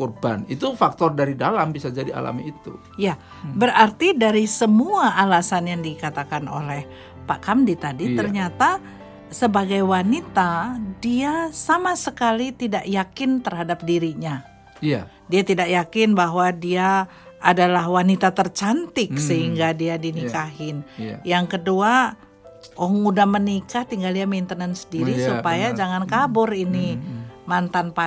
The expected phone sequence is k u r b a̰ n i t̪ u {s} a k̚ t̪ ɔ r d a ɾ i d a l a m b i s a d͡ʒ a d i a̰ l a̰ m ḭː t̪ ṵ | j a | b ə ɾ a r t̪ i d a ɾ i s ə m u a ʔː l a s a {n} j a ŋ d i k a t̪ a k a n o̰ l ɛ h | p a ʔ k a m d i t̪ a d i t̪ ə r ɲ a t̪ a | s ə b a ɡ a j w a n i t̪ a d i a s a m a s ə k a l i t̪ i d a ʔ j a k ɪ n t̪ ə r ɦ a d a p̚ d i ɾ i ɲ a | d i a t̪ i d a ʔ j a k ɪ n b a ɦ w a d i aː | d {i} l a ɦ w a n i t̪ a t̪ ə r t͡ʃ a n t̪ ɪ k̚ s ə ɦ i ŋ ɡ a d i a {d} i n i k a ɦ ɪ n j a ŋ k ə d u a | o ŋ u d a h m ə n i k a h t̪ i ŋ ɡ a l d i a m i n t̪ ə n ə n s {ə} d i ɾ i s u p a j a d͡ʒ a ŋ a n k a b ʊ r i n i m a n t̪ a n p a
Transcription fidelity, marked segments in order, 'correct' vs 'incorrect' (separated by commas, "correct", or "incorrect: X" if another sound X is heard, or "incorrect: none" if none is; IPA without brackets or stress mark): incorrect: f, correct, incorrect: a, correct, correct